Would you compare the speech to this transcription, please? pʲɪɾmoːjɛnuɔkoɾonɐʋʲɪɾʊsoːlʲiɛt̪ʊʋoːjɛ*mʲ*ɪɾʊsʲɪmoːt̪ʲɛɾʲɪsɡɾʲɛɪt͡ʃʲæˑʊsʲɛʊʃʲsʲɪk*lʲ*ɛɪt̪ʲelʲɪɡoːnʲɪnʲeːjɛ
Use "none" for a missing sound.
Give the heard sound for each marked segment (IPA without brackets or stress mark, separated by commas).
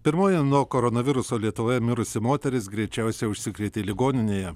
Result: mʲ, ɾʲ